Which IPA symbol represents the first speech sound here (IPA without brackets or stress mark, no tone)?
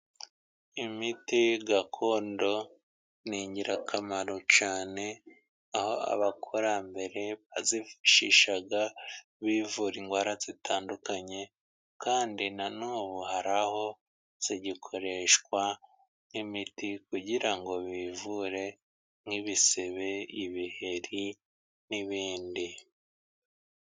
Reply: i